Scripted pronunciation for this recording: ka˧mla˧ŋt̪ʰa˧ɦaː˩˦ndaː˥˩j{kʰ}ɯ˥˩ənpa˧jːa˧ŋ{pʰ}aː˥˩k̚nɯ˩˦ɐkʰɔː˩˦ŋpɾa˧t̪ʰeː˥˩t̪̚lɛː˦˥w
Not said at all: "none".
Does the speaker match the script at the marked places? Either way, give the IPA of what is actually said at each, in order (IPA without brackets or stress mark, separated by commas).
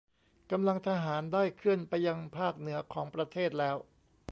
kʰ, pʰ